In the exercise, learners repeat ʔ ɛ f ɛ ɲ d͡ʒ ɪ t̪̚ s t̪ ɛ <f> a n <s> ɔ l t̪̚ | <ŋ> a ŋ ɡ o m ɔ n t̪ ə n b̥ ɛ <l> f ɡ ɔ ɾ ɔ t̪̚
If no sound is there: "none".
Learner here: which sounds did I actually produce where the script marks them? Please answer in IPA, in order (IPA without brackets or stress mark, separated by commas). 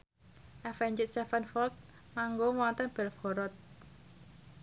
f, f, m, l